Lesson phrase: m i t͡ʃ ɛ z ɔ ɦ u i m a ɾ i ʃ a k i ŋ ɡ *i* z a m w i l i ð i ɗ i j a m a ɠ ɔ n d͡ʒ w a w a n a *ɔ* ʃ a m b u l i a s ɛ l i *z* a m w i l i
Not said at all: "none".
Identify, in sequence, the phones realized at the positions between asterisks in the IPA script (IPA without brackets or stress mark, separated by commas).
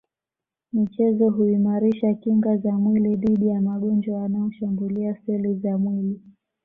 a, ɔ, z